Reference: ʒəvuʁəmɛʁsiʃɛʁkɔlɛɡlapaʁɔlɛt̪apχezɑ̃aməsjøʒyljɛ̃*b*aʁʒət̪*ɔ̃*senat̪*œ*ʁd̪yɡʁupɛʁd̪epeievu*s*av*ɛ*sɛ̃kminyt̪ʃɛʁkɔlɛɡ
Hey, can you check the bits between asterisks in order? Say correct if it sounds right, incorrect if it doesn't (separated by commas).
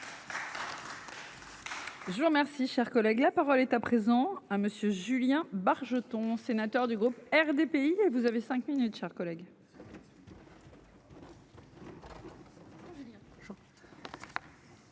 correct, correct, correct, incorrect, incorrect